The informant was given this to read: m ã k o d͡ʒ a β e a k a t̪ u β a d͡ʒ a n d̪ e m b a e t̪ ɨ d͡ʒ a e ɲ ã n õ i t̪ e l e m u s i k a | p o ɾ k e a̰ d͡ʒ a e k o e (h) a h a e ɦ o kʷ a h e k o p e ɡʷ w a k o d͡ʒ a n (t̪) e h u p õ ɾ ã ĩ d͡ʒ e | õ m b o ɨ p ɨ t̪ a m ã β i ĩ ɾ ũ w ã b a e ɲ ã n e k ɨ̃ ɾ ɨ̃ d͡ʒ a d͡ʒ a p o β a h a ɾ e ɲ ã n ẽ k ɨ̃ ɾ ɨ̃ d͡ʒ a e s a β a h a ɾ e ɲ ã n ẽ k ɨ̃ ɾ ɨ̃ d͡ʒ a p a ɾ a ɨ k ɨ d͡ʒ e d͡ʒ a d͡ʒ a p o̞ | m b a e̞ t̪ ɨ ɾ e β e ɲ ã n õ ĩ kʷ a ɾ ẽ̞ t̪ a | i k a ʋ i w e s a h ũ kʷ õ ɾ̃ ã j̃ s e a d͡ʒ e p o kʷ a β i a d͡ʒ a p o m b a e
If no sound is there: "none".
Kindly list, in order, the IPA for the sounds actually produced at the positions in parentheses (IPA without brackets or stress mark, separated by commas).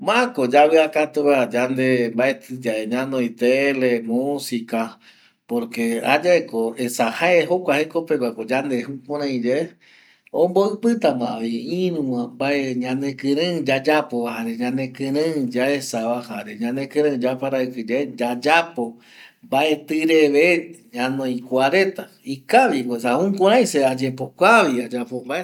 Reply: s, d̪